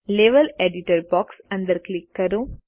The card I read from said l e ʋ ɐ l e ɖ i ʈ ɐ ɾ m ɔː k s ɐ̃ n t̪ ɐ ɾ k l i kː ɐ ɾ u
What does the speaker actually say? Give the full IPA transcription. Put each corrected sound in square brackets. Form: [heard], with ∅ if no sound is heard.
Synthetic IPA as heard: l e ʋ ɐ l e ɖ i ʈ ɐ ɾ [b] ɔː k s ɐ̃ n [d̪] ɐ ɾ k l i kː ɐ ɾ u

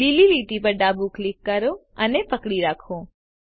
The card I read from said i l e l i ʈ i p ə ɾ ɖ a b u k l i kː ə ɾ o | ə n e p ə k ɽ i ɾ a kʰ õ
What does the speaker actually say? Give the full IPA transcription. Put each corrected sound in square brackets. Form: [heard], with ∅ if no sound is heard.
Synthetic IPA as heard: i l [i] l i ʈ i p ə ɾ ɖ a b u k l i kː ə ɾ o | ə n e p ə k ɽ i ɾ a kʰ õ

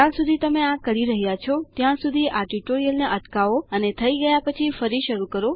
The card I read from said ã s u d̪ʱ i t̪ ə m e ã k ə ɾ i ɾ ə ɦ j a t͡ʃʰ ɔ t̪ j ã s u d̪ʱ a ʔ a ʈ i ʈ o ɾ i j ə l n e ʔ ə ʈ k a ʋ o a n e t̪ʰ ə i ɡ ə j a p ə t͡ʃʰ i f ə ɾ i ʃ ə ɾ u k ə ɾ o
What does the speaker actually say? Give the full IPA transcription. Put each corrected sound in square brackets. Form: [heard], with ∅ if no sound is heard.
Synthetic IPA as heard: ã s u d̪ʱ i t̪ ə m e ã k ə ɾ i ɾ ə ɦ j a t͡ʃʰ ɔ t̪ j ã s u d̪ʱ [i] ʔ a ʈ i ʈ o ɾ i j ə l n e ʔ ə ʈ k a ʋ o [ə] n e t̪ʰ ə i ɡ ə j a p ə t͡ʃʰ i f ə ɾ i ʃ ə ɾ u k ə ɾ o

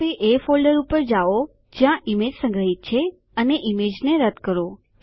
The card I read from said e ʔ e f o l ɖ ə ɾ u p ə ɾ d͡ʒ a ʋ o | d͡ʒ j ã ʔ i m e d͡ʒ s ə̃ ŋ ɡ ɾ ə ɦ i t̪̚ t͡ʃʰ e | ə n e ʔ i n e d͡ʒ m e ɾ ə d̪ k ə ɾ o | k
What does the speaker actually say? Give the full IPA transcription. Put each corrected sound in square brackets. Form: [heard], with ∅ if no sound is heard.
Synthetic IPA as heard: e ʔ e f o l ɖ ə ɾ u p ə ɾ d͡ʒ a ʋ o | d͡ʒ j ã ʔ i m e d͡ʒ s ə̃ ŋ ɡ ɾ ə ɦ i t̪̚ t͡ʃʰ e | ə n e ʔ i [m] e d͡ʒ [n] e ɾ ə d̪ k ə ɾ o | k

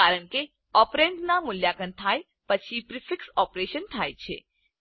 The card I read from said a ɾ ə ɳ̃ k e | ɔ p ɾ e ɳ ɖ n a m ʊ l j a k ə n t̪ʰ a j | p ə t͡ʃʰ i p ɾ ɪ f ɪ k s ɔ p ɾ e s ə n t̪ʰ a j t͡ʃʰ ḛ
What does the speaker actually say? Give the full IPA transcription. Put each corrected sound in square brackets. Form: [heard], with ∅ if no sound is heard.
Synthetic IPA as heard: a ɾ ə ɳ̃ k e | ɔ p ɾ e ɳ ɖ n a m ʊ l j a k ə n t̪ʰ a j | p ə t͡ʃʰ i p ɾ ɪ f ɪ k s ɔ p ɾ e [ʃ] ə n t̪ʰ a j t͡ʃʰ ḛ

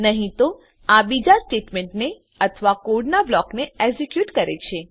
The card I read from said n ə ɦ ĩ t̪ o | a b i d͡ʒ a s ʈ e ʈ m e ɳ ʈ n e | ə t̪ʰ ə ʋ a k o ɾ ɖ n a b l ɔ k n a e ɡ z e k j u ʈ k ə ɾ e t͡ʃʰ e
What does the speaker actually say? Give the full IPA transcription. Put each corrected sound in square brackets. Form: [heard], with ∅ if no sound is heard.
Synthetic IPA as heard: n ə ɦ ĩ t̪ o | a b i d͡ʒ a s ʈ e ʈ m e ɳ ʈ n e | ə t̪ʰ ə ʋ a k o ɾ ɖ n a b l ɔ k n [e] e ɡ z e k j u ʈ k ə ɾ e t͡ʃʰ e

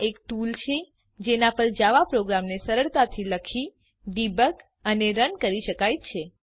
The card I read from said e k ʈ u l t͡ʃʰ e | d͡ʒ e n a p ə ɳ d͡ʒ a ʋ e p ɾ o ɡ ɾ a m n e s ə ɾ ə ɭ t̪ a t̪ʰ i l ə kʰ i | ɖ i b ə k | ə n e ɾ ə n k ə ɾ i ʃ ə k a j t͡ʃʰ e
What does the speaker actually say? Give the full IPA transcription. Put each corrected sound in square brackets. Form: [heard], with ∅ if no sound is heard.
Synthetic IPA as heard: e k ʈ u l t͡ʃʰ e | d͡ʒ e n a p ə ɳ d͡ʒ a ʋ [a] p ɾ o ɡ ɾ a m n e s ə ɾ ə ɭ t̪ a t̪ʰ i l ə kʰ i | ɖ i b ə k | ə n e ɾ ə n k ə ɾ i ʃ ə k a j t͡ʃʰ e

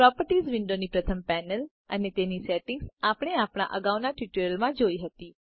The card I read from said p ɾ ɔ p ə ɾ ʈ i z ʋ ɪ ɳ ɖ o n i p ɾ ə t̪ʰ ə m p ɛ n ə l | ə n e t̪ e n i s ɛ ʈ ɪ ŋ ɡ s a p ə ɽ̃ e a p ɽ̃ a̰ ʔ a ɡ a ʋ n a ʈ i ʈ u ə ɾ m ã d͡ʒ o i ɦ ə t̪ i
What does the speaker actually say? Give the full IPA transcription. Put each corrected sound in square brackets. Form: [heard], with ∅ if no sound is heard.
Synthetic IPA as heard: p ɾ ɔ p ə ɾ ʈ i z ʋ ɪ ɳ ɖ o n i p ɾ ə t̪ʰ ə m p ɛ n ə l | ə n e t̪ e n i s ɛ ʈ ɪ ŋ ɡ s a p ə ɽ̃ e a p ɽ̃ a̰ ʔ [ə] ɡ a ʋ n a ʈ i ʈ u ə [l] m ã d͡ʒ o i ɦ ə t̪ i

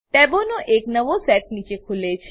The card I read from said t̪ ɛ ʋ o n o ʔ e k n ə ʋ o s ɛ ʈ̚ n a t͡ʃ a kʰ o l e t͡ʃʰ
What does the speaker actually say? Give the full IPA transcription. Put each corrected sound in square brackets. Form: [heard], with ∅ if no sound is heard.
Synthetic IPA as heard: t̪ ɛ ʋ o n o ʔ e k n ə ʋ o s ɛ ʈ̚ n [i] t͡ʃ [e] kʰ [u] l e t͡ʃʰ

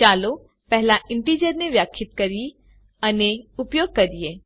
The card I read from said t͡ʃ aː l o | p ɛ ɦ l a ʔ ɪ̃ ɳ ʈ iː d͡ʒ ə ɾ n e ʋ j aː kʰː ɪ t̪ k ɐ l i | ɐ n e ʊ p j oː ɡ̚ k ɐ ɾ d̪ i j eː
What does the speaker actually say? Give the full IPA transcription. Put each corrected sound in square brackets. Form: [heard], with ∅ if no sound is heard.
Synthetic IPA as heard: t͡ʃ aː l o | p ɛ ɦ l a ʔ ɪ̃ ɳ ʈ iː d͡ʒ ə ɾ n e ʋ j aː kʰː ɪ t̪ k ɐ [ɾ] i | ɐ n e ʊ p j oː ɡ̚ k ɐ ɾ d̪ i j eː

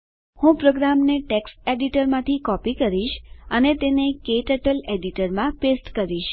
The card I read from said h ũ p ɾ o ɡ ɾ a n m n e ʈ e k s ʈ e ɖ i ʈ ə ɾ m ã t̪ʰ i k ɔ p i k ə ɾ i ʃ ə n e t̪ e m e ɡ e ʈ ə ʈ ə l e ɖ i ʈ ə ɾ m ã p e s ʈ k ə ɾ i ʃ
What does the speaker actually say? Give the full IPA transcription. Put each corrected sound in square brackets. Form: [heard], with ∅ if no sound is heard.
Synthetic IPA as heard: h ũ p ɾ o ɡ ɾ a [∅] m n e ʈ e k s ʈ e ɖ i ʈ ə ɾ m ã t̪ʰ i k ɔ p i k ə ɾ i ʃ ə n e t̪ e [n] e [k] e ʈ ə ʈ ə l e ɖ i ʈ ə ɾ m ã p e s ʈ k ə ɾ i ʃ

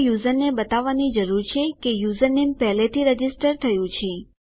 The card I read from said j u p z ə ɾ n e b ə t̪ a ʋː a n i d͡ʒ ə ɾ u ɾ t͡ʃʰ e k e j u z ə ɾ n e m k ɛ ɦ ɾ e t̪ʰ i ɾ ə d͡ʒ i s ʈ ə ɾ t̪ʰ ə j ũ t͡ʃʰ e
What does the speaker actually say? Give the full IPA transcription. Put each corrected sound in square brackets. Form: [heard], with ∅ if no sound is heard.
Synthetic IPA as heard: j u [∅] z ə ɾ n e b ə t̪ a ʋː a n i d͡ʒ ə ɾ u ɾ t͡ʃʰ e k e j u z ə ɾ n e m [p] ɛ ɦ [l] e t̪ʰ i ɾ ə d͡ʒ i s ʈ ə ɾ t̪ʰ ə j ũ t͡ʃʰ e

